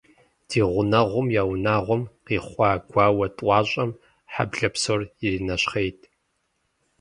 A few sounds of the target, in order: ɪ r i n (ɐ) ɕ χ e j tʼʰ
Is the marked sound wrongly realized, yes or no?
no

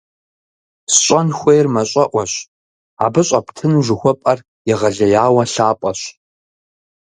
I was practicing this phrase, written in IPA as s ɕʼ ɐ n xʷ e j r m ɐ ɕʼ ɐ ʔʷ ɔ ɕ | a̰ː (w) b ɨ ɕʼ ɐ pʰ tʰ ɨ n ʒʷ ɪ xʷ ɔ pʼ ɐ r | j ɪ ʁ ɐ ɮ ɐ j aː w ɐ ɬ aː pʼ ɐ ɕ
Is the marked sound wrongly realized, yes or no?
yes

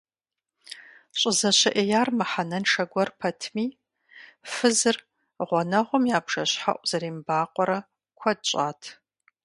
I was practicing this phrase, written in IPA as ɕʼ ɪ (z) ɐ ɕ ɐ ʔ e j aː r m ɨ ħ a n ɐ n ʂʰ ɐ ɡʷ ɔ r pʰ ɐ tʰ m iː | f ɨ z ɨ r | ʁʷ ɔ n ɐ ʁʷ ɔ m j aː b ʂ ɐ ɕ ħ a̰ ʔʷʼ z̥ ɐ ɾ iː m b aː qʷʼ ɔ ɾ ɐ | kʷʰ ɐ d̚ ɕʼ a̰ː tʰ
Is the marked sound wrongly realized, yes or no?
no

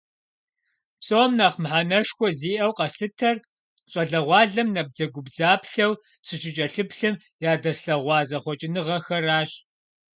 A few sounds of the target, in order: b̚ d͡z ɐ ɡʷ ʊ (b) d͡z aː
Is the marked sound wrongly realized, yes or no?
no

